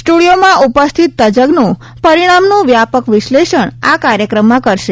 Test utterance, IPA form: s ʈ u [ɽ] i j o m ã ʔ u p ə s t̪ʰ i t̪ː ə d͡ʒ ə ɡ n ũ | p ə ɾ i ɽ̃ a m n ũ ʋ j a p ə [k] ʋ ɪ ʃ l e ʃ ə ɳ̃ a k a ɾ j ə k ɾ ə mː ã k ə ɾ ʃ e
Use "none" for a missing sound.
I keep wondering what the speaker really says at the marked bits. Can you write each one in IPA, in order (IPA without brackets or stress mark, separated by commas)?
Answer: ɽ, k